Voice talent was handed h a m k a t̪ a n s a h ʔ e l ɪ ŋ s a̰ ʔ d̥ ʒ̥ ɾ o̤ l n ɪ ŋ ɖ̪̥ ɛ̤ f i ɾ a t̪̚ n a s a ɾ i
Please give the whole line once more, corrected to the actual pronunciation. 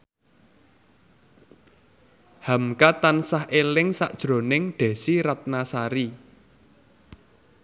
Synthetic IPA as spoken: h a m k a t̪ a n s a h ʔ e l ɪ ŋ s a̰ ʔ d̥ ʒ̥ ɾ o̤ n ɪ ŋ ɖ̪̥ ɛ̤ s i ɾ a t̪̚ n a s a ɾ i